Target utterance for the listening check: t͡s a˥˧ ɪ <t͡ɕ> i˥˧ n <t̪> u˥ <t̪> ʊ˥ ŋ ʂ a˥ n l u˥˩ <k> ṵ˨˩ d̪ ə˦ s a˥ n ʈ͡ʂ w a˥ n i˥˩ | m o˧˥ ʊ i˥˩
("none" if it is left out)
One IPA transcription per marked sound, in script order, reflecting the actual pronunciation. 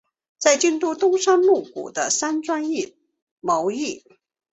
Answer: t͡ɕ, t̪, t̪, k

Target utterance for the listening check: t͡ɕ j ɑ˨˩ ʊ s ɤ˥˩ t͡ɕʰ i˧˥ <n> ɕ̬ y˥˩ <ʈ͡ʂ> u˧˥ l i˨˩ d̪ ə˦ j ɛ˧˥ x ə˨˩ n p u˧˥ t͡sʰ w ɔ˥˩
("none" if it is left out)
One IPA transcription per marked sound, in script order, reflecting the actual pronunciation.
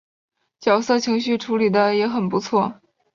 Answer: ŋ, ʈ͡ʂʰ

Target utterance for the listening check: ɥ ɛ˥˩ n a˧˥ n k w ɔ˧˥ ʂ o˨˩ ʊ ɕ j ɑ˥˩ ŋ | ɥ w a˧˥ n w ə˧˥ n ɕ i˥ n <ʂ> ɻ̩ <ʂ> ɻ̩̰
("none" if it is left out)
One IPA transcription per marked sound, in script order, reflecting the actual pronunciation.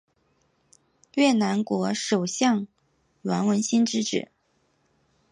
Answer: ʈ͡ʂ, ʈ͡ʂ

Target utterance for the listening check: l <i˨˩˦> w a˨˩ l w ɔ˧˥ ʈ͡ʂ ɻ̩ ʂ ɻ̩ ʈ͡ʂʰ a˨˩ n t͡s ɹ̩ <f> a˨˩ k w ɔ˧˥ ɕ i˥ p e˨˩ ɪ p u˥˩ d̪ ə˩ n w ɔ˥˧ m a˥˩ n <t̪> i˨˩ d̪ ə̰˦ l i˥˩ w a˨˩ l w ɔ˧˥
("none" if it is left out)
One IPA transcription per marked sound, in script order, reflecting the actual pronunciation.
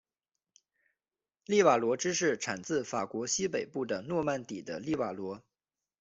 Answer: i˥˩, f, t̪

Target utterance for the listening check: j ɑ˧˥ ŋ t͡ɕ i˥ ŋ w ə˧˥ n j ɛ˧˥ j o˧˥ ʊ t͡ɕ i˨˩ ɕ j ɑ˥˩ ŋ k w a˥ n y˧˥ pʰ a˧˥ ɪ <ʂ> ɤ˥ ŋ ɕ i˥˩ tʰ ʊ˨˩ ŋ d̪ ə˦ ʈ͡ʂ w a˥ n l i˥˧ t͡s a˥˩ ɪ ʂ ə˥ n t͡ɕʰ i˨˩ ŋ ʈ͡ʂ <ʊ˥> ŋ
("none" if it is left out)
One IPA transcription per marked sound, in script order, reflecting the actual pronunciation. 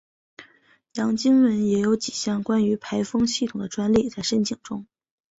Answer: f, ʊ˥

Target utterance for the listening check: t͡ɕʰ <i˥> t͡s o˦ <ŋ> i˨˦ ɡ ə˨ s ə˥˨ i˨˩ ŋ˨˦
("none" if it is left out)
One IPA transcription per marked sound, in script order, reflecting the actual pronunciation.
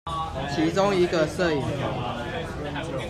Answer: i˨˦, ŋ

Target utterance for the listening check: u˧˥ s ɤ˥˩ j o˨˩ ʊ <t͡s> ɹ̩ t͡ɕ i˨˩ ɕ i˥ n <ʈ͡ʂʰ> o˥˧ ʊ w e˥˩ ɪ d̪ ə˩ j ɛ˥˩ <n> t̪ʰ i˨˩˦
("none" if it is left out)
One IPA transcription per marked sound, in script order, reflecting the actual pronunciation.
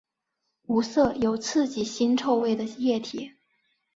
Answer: t͡sʰ, ʈ͡ʂʰ, none

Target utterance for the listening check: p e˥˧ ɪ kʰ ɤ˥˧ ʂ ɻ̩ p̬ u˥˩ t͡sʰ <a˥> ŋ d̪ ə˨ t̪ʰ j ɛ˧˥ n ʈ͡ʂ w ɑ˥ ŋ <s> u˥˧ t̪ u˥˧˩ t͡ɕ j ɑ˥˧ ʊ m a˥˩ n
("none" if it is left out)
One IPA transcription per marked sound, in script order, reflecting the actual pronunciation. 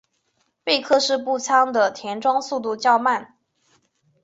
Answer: ɑ˥, s

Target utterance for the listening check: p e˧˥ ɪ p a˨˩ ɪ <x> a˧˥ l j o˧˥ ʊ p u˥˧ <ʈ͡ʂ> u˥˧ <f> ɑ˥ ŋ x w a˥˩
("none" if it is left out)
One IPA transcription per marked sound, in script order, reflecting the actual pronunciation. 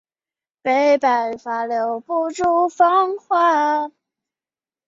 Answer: f, ʈ͡ʂ, f

